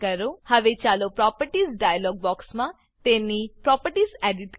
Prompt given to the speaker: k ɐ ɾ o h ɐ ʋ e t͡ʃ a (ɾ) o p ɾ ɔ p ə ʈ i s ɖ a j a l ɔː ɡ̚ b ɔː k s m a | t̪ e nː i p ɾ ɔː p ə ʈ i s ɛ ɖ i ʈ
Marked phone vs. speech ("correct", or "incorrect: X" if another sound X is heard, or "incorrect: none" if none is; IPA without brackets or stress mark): incorrect: l